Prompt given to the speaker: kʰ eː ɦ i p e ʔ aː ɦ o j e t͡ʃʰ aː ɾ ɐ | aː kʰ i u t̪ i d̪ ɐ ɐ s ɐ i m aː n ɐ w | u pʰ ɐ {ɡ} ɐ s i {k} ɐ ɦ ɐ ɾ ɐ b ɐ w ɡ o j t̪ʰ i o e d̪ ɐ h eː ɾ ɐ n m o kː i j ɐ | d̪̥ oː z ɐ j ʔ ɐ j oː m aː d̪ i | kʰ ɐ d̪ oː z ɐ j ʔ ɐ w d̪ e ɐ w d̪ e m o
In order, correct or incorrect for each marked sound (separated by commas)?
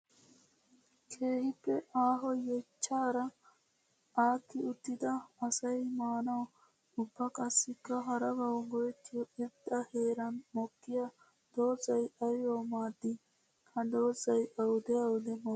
incorrect, correct